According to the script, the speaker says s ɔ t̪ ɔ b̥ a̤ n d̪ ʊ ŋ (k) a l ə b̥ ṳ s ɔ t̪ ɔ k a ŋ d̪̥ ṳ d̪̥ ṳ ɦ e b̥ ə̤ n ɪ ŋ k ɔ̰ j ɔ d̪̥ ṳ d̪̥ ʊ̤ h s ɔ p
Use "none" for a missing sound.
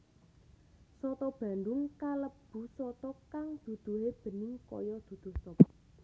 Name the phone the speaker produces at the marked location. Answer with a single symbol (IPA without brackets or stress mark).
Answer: k